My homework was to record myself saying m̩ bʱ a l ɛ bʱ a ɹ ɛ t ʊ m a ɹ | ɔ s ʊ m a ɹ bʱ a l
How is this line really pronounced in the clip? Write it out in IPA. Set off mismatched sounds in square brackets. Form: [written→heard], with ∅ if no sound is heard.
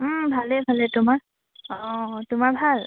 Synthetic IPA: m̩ bʱ a l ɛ bʱ a [ɹ→l] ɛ t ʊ m a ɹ | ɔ [s→t] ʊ m a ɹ bʱ a l